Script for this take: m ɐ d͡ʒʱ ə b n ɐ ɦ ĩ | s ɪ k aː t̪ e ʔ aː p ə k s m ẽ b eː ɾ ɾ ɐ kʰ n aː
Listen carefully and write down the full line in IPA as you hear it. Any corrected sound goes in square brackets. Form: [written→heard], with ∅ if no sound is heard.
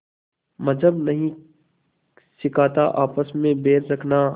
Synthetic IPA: m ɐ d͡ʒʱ ə b n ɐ ɦ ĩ | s ɪ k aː t̪ [e→a] ʔ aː p ə [k→∅] s m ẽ b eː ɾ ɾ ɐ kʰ n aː

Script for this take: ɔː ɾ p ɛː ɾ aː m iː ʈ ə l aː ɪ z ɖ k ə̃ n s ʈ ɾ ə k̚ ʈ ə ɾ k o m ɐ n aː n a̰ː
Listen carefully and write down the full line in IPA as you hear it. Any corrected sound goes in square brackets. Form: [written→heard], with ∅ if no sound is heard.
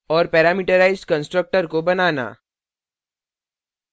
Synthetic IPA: ɔː ɾ p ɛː ɾ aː m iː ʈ ə [l→ɾ] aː ɪ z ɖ k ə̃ n s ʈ ɾ ə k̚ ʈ ə ɾ k o [m→b] ɐ n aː n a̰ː

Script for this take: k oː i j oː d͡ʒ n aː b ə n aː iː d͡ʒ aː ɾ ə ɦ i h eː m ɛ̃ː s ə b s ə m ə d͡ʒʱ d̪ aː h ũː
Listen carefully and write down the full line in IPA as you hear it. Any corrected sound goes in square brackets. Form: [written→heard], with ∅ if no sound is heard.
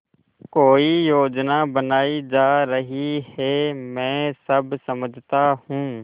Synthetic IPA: k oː i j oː d͡ʒ n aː b ə n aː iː d͡ʒ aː ɾ ə ɦ i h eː m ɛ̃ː s ə b s ə m ə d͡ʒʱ [d̪→t̪] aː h ũː

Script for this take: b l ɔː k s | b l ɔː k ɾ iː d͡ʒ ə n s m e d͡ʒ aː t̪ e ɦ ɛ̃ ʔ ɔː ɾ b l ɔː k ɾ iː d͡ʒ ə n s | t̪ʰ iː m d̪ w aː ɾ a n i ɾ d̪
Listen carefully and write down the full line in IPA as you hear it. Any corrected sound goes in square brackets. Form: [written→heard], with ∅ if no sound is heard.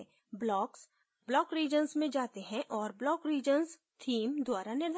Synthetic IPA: b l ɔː k s | b l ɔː k ɾ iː d͡ʒ ə n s m [e→ẽ] d͡ʒ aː t̪ e ɦ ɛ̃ ʔ ɔː ɾ b l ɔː k ɾ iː d͡ʒ ə n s | t̪ʰ iː m d̪ w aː ɾ a n [i→ɪ] ɾ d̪

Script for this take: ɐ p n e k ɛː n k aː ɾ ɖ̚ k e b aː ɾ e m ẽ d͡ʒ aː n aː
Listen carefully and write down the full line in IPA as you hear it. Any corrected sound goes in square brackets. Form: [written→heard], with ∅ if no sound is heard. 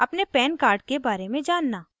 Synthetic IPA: ɐ p n e [k→p] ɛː n k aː ɾ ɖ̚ k e b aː ɾ e m ẽ d͡ʒ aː [n→nː] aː

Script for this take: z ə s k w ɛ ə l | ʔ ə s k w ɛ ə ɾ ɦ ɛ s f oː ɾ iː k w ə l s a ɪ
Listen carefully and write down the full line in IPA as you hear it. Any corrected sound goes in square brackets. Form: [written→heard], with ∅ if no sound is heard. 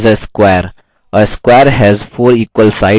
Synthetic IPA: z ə s k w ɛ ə [l→ɾ] | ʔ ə s k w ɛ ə ɾ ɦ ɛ [s→z] f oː ɾ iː k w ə l s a ɪ

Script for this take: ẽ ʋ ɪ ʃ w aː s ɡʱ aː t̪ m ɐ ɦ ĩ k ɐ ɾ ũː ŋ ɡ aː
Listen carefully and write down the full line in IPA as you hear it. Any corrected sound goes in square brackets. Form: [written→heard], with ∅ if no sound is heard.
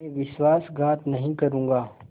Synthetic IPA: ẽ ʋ ɪ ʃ w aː s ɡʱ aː t̪ [m→n] ɐ ɦ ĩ k ɐ ɾ ũː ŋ ɡ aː

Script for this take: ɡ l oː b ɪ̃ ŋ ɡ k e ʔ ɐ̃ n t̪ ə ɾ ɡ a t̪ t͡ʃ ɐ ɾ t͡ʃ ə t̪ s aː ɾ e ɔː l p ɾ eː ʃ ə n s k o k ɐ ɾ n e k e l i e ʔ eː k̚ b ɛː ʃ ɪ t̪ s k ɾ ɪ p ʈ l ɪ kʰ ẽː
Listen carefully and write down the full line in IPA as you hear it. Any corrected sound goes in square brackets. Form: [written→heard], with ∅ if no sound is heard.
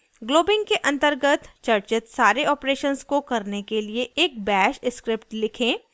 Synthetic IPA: ɡ l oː b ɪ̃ ŋ ɡ k e ʔ ɐ̃ n t̪ ə ɾ ɡ [a→ə] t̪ t͡ʃ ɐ ɾ t͡ʃ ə t̪ s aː ɾ e ɔː [l→∅] p ɾ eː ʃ ə n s k o k ɐ ɾ n e k e l i e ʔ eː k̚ b ɛː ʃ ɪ [t̪→∅] s k ɾ ɪ p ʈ l ɪ kʰ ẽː

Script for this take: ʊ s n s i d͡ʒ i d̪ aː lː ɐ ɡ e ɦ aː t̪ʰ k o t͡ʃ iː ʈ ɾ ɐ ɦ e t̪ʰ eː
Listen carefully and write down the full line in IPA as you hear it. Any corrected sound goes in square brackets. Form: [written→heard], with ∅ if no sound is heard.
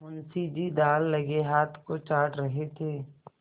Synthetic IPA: ʊ [s→∅] n s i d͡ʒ i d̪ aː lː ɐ ɡ e ɦ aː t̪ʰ k o t͡ʃ [iː→aː] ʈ ɾ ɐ ɦ e t̪ʰ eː

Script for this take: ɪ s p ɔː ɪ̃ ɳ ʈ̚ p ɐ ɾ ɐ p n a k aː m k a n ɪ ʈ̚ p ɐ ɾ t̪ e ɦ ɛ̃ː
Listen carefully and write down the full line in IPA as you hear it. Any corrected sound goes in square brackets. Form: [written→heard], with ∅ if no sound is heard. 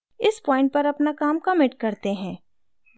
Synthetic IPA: ɪ s p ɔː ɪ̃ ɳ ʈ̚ p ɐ ɾ ɐ p n a k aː m k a [n→m] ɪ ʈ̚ [p→k] ɐ ɾ t̪ e ɦ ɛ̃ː

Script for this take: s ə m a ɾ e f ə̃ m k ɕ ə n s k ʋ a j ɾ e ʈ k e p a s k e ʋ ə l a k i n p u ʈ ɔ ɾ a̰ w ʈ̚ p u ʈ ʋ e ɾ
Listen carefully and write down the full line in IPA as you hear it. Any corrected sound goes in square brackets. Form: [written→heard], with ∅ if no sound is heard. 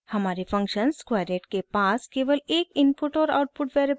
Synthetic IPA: [s→h] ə m a ɾ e f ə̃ [m→ŋ] k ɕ ə n s k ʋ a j ɾ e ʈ k e p a s k e ʋ ə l [a→e] k i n p u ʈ ɔ ɾ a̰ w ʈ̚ p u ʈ ʋ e ɾ

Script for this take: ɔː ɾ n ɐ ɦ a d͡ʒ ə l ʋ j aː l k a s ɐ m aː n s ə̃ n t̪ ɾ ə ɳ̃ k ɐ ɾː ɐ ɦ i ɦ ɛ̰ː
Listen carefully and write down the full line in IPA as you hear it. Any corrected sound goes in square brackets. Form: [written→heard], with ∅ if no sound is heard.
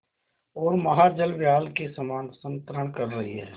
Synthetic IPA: ɔː ɾ [n→m] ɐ ɦ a d͡ʒ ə l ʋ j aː l k [a→e] s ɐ m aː n s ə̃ n t̪ ɾ ə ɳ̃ k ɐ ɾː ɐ ɦ i ɦ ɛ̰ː

